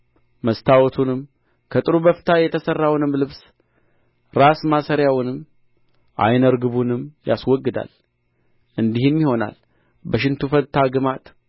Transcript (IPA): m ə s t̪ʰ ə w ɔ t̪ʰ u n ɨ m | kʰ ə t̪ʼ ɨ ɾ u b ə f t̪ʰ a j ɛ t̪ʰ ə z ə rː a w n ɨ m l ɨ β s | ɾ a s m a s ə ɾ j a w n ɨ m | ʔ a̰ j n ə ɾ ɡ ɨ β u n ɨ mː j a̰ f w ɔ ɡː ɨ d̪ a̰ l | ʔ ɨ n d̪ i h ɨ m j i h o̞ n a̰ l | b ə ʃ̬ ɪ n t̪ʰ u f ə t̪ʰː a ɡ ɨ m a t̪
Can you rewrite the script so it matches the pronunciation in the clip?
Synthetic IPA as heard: m ə s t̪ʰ a w ɔ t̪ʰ u n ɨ m | kʰ ə t̪ʼ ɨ ɾ u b ə f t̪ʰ a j ɛ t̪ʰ ə s ə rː a w n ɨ m l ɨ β s | ɾ a s m a s ə ɾ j a w n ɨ m | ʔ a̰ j n ə ɾ ɡ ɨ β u n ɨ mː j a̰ s w ɔ ɡː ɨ d̪ a̰ l | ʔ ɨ n d̪ i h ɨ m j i h o̞ n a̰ l | b ə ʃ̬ ɪ n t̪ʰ u f ə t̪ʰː a ɡ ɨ m a t̪